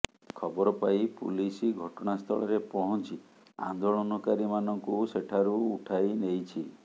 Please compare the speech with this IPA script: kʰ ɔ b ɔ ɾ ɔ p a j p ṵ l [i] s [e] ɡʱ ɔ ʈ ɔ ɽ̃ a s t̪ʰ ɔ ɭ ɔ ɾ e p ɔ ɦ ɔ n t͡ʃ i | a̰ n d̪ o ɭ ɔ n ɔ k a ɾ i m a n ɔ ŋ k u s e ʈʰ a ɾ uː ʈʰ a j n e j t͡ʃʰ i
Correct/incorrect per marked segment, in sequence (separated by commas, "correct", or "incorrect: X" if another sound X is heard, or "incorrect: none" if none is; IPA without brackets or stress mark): correct, incorrect: i